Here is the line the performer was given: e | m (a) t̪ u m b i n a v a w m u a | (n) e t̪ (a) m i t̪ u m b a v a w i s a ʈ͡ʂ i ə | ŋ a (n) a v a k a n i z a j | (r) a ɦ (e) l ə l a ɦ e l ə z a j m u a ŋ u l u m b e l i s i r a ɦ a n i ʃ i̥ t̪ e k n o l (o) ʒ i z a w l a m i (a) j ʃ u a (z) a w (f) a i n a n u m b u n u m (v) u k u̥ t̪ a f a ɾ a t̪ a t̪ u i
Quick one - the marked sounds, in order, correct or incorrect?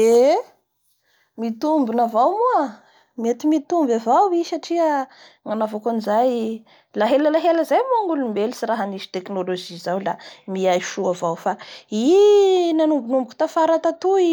incorrect: i, incorrect: m, incorrect: i, correct, incorrect: l, correct, correct, correct, incorrect: v, correct, incorrect: b

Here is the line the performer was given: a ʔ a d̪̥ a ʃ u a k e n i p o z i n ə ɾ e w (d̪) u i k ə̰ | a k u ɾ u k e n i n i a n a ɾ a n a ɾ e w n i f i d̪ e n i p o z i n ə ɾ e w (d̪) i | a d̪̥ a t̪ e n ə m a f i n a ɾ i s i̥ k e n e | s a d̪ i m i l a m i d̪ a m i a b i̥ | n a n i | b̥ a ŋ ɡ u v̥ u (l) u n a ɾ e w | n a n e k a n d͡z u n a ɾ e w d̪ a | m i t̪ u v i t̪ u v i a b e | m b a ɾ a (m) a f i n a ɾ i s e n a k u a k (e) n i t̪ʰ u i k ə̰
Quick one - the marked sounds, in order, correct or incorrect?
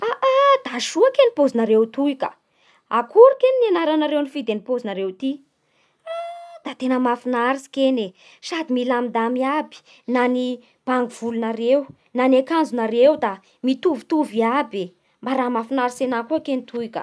incorrect: t̪, incorrect: t̪, correct, correct, correct

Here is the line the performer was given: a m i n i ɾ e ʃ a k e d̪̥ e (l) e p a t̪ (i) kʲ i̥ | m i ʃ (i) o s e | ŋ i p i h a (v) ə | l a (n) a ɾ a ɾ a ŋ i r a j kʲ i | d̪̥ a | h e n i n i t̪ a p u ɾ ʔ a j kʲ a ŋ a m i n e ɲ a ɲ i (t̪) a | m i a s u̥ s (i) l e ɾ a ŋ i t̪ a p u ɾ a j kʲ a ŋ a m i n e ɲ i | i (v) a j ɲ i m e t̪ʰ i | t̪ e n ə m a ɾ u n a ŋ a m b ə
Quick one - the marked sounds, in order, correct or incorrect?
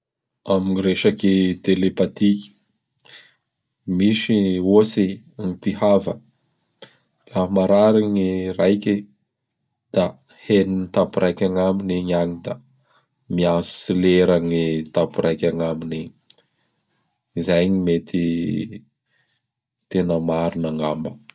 correct, correct, correct, correct, incorrect: m, incorrect: d̪, correct, incorrect: z

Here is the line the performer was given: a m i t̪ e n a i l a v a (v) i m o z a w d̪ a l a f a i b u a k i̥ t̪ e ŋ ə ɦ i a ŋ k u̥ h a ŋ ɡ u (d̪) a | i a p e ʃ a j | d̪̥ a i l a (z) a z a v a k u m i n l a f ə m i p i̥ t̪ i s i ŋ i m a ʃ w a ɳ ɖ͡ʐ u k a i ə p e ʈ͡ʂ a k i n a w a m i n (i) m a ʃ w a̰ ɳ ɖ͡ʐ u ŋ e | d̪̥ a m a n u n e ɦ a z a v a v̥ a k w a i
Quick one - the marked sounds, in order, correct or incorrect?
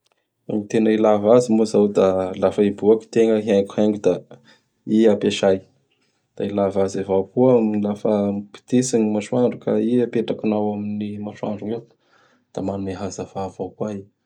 incorrect: z, correct, incorrect: v, correct

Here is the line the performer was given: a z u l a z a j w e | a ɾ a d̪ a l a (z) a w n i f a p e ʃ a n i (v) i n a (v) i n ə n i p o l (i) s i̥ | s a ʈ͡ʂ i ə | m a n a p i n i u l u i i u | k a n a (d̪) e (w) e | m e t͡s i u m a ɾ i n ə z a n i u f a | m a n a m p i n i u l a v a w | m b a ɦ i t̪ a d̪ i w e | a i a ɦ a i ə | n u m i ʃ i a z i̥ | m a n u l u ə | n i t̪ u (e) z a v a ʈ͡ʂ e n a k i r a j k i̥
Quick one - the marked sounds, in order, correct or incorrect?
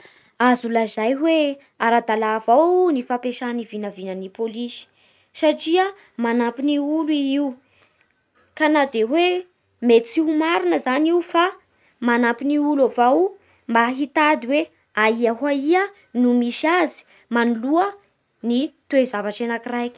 incorrect: v, correct, correct, correct, correct, correct, correct

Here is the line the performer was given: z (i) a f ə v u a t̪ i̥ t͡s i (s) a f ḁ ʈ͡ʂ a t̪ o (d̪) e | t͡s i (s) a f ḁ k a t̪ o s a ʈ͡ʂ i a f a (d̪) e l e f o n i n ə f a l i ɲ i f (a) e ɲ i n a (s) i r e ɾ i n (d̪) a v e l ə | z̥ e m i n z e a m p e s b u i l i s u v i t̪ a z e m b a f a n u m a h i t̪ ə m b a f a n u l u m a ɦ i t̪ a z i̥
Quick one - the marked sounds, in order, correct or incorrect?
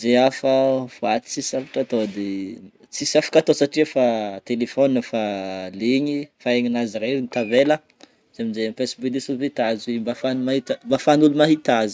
incorrect: e, correct, correct, correct, incorrect: t̪, correct, incorrect: z, incorrect: t̪

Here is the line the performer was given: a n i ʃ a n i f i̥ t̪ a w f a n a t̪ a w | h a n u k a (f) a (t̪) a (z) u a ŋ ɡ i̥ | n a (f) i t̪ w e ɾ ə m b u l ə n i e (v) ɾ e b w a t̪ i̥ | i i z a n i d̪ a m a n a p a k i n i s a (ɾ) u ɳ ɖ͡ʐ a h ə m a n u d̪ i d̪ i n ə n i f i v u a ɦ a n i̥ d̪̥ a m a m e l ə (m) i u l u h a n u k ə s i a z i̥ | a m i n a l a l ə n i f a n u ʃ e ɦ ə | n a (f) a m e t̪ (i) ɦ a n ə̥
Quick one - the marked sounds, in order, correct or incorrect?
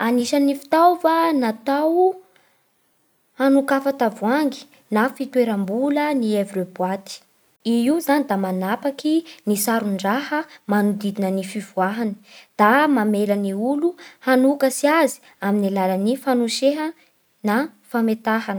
correct, correct, incorrect: v, correct, correct, correct, incorrect: n, correct, incorrect: a

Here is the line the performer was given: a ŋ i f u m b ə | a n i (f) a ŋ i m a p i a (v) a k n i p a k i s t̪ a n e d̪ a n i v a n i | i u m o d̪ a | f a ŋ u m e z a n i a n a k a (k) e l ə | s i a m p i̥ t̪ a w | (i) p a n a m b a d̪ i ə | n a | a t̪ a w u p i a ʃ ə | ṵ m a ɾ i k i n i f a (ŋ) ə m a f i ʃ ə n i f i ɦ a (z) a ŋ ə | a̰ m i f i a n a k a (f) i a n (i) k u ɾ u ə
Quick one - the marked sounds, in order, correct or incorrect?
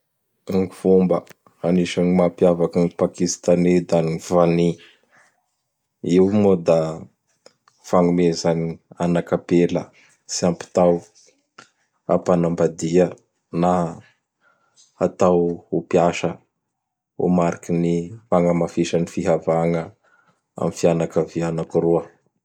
incorrect: ʃ, correct, incorrect: p, incorrect: a, correct, incorrect: v, incorrect: v, incorrect: a

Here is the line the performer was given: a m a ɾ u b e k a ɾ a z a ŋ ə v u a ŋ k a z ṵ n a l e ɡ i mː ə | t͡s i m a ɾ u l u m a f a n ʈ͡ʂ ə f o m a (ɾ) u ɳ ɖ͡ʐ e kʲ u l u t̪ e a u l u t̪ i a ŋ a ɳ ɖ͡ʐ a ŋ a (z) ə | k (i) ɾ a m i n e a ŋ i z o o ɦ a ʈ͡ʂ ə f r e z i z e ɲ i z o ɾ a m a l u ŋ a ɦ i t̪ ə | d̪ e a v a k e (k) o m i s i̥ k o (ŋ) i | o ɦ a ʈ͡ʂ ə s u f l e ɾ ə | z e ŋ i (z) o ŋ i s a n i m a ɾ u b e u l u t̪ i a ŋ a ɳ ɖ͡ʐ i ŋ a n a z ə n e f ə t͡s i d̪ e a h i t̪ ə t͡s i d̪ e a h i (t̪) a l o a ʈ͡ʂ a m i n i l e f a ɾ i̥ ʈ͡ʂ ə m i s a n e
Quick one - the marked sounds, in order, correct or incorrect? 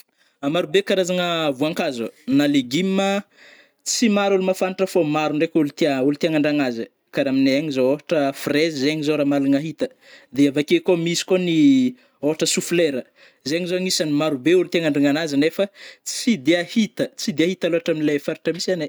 correct, correct, incorrect: a, correct, incorrect: n, correct, correct

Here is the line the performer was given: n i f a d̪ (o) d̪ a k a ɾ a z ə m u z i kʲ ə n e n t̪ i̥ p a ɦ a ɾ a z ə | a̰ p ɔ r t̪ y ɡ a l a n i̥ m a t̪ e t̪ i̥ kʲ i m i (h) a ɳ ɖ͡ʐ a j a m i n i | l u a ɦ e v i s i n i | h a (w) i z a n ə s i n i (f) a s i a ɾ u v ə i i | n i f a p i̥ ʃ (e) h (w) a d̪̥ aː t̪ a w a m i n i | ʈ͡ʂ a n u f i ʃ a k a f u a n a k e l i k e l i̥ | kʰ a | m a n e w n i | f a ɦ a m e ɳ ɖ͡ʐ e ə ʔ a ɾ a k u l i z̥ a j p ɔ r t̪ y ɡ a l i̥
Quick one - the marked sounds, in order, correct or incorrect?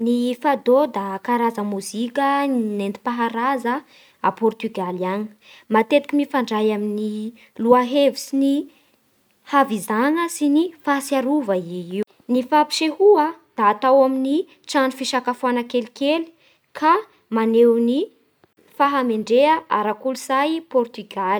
correct, incorrect: f, incorrect: v, correct, correct, incorrect: u

